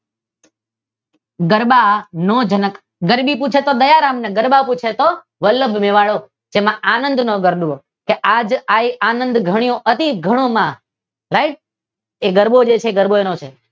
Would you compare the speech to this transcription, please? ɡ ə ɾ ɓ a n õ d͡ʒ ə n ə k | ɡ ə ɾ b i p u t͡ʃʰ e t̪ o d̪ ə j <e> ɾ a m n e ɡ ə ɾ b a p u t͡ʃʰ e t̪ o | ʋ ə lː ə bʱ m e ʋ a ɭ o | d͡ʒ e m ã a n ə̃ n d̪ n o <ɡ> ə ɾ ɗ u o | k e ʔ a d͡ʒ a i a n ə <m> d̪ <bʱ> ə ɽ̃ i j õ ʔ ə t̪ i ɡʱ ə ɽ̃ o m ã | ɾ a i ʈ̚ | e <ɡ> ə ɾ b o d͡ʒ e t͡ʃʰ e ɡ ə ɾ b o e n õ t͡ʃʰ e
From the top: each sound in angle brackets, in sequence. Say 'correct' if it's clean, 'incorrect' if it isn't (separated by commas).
incorrect, correct, incorrect, incorrect, correct